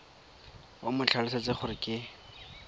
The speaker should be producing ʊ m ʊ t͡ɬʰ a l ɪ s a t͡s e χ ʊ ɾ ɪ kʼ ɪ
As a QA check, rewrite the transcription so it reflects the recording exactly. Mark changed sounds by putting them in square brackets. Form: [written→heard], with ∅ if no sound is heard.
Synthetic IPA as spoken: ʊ m ʊ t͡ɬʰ a l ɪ s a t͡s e χ ʊ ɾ ɪ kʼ ɪ